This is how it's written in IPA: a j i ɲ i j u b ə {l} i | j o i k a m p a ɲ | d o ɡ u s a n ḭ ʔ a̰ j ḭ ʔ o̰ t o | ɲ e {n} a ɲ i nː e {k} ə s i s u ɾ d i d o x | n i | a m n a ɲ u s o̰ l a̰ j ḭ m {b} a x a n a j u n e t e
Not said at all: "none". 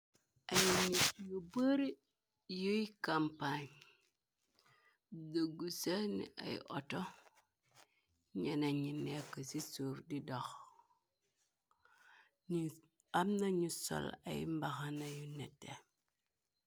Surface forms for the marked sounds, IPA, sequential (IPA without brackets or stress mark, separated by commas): ɾ, n, k, b